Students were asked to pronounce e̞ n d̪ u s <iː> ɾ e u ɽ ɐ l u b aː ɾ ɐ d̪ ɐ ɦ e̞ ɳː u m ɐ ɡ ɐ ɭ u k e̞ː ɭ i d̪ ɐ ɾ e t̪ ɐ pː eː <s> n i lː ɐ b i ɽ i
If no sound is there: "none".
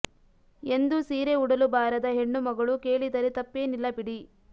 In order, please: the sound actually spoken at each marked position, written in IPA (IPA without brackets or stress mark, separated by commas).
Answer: iː, none